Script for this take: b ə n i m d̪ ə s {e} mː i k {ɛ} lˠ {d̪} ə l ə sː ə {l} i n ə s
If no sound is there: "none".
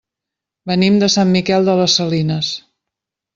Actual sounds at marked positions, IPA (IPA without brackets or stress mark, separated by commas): a, ɛ, d̪, l